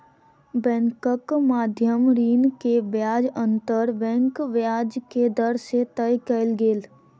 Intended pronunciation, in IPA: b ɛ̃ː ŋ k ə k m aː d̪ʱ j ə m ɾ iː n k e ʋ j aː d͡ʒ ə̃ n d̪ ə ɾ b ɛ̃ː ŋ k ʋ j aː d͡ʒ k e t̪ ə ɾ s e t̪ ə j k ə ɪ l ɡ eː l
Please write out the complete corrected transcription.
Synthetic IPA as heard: b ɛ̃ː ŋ k ə k m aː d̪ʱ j ə m ɾ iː n k e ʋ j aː d͡ʒ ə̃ n t̪ ə ɾ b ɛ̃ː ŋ k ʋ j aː d͡ʒ k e d̪ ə ɾ s e t̪ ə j k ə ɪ l ɡ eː l